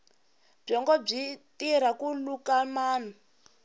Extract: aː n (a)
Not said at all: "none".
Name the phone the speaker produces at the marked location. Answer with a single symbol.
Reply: a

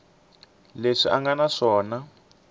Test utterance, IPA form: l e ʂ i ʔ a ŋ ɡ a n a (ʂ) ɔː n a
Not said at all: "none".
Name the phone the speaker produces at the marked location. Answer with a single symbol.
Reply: ʂ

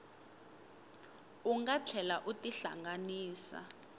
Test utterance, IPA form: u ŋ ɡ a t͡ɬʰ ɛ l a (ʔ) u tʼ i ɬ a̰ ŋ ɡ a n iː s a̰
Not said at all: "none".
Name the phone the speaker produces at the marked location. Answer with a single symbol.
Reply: ʔ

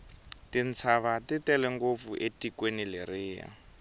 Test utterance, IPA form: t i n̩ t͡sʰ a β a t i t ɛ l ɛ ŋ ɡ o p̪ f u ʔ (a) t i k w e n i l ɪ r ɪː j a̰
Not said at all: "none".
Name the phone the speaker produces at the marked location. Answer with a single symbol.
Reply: e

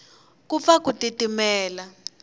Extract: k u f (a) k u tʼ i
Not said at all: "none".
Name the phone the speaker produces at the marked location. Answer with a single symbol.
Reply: a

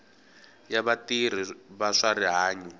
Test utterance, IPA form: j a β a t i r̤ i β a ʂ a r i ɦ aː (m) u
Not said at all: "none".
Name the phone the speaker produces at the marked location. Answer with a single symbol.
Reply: ɲ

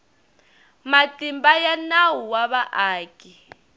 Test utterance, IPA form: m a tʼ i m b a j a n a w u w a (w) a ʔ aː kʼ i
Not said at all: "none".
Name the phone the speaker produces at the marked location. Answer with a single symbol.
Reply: β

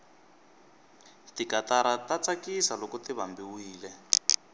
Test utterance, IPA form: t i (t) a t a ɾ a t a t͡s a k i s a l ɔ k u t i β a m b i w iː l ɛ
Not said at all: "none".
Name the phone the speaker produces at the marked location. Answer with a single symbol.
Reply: k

